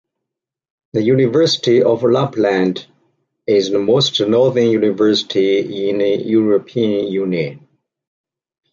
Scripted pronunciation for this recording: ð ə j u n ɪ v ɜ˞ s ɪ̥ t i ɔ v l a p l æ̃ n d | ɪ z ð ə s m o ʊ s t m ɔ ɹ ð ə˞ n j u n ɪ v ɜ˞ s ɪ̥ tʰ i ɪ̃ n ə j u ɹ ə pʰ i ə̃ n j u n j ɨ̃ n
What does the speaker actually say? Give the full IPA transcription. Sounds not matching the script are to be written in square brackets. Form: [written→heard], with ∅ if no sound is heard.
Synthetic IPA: ð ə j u n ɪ v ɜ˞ s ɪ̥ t i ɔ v l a p l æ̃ n d | ɪ z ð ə [s→∅] m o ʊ s t [m→n] ɔ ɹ ð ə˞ n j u n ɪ v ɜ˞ s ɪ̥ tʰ i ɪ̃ n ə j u ɹ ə pʰ i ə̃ n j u n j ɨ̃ n